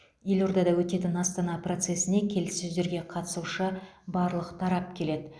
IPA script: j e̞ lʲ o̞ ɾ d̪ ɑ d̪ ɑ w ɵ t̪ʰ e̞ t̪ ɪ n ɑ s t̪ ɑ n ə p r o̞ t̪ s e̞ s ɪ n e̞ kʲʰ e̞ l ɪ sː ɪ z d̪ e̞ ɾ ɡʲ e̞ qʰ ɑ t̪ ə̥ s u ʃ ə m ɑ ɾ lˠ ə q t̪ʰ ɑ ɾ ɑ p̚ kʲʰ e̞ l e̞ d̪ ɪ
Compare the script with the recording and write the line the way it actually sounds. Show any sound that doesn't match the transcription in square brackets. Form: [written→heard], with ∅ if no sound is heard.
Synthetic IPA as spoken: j e̞ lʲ o̞ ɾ d̪ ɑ d̪ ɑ w ɵ [t̪ʰ→t̪] e̞ t̪ ɪ n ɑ s t̪ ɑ n [ə→ɑ] p r o̞ t̪ s e̞ s ɪ n e̞ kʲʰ e̞ l ɪ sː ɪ z d̪ e̞ ɾ ɡʲ e̞ qʰ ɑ t̪ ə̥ s u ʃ ə [m→b] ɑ ɾ lˠ ə q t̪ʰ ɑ ɾ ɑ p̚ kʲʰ e̞ l e̞ d̪ ɪ